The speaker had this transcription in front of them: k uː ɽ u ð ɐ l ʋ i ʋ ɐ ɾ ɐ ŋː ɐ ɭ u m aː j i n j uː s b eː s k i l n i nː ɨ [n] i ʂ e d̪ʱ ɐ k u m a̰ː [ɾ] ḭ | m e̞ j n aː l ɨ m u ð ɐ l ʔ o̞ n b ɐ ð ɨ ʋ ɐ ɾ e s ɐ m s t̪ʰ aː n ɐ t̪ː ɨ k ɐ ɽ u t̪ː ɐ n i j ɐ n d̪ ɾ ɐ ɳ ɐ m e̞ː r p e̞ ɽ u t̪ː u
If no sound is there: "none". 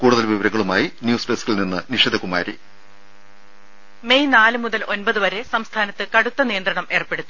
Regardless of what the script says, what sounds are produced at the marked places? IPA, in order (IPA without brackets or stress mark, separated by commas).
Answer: n, ɾ